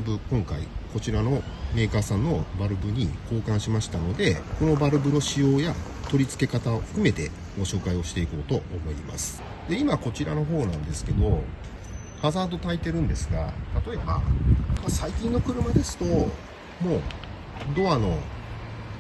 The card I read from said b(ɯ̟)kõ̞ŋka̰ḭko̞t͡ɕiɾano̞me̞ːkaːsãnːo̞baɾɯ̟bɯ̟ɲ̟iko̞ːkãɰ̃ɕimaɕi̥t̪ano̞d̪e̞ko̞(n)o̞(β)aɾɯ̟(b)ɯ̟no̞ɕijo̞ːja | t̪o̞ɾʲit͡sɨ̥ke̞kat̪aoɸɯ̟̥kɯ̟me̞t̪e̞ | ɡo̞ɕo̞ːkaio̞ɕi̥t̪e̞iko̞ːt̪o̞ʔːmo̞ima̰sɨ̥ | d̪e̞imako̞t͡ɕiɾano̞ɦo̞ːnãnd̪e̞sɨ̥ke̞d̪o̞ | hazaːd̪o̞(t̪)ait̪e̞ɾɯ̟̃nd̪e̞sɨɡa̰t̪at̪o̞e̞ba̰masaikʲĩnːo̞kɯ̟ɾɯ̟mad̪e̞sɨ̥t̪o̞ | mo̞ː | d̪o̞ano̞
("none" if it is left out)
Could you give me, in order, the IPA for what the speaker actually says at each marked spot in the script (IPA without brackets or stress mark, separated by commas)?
ɯ̟, n, b, b, t̪